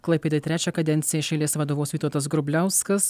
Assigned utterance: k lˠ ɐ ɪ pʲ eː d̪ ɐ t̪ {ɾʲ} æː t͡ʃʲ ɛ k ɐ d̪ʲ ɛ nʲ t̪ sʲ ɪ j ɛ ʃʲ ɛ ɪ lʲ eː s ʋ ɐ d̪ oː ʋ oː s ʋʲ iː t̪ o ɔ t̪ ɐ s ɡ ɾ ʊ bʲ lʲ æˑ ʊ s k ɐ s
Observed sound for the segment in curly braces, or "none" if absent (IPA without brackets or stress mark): ɾʲ